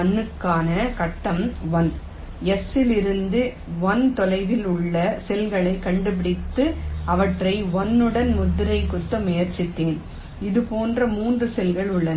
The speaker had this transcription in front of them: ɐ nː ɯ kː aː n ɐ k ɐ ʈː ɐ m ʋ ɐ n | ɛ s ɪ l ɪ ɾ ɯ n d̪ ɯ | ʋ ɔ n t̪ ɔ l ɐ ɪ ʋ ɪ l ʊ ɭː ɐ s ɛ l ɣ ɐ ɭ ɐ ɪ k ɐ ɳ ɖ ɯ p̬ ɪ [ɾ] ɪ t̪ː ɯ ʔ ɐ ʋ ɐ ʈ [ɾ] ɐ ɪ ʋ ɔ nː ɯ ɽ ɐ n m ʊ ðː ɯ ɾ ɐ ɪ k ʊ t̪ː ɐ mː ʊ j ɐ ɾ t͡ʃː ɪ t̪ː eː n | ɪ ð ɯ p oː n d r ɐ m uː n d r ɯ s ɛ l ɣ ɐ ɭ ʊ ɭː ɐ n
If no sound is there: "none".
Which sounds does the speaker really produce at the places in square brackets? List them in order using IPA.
ɽ, r

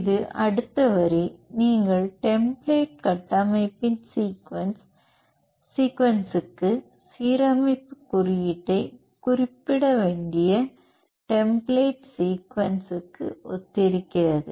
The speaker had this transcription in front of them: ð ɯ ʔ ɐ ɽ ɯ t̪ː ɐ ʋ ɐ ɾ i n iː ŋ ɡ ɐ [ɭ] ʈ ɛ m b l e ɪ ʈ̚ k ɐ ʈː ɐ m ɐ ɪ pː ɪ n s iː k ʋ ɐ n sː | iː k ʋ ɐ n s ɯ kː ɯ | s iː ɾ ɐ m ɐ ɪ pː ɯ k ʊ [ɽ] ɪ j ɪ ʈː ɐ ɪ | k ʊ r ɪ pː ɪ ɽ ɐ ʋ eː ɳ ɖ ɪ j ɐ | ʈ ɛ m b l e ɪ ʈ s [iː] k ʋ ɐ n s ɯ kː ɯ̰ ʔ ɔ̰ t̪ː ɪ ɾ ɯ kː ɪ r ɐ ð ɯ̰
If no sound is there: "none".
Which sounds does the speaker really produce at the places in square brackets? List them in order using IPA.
ɭ, r, iː

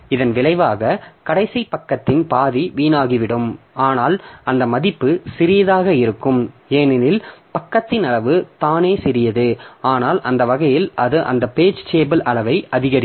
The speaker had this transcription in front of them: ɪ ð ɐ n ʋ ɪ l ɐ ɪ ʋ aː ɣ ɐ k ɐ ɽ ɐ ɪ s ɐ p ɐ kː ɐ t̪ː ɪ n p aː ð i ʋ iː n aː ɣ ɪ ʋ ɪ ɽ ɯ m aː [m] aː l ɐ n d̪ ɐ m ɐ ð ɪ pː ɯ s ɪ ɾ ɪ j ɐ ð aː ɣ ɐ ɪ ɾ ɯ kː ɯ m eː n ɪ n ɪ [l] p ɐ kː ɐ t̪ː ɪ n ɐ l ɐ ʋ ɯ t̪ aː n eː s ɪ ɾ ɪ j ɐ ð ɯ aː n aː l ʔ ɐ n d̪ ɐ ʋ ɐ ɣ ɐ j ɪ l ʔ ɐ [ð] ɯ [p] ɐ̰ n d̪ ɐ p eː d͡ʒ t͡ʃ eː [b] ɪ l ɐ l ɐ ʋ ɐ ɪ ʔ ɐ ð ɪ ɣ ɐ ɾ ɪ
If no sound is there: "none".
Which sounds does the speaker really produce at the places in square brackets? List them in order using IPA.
n, l, ð, ʔ, b

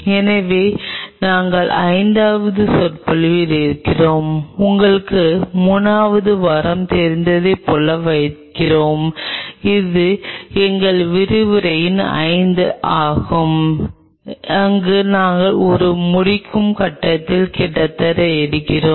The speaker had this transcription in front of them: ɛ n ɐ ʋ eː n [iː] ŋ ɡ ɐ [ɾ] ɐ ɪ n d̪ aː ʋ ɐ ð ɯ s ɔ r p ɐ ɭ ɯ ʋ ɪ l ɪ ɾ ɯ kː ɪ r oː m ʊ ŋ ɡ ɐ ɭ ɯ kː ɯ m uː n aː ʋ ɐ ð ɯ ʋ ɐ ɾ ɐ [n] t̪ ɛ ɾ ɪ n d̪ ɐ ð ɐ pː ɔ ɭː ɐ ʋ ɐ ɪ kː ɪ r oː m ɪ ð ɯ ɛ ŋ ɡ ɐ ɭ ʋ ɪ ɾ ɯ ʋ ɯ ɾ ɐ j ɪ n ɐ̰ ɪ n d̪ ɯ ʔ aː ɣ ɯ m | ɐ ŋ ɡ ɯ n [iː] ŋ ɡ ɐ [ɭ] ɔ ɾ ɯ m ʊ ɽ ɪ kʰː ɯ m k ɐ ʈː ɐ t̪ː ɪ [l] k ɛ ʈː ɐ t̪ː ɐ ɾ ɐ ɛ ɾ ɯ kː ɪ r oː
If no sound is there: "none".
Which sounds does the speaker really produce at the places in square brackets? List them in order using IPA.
aː, ɭ, m, aː, ɭ, l

